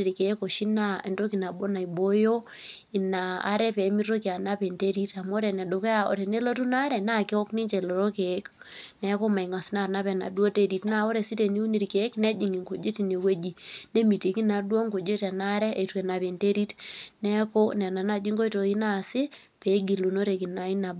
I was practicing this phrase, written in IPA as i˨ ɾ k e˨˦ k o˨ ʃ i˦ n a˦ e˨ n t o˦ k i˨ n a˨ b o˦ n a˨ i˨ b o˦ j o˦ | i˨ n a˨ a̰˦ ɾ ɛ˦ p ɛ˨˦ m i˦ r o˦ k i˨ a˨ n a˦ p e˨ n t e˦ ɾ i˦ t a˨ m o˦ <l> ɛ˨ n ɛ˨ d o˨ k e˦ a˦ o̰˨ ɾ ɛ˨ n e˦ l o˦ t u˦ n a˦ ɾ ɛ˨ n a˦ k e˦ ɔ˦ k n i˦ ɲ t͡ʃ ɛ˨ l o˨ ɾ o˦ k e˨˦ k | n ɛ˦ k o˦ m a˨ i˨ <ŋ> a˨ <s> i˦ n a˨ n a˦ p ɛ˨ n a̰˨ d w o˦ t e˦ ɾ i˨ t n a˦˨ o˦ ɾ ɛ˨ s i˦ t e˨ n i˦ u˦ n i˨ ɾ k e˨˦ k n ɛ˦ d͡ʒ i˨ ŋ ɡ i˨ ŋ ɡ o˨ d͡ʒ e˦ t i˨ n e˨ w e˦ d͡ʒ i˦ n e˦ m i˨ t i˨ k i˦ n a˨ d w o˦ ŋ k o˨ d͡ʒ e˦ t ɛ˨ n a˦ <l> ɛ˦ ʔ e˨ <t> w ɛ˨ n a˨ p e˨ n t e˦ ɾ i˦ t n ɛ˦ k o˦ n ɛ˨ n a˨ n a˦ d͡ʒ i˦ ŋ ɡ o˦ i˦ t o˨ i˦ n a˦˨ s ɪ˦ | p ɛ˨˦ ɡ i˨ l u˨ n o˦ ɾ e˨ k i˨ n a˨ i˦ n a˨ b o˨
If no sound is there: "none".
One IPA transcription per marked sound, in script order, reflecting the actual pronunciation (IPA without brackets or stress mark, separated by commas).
ɾ, ŋ, s, ɾ, t